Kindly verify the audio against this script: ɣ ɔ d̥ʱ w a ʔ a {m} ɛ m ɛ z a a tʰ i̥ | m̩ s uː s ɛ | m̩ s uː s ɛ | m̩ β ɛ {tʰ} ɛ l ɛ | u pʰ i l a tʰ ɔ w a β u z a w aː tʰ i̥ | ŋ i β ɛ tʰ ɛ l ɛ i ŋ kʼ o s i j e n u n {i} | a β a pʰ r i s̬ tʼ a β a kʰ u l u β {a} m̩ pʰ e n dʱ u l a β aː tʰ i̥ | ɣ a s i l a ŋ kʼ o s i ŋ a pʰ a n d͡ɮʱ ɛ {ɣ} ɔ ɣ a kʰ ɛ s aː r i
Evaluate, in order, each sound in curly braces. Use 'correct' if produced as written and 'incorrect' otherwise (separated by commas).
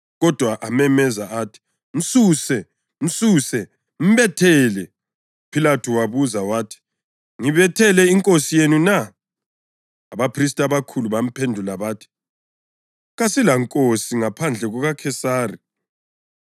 correct, correct, incorrect, correct, correct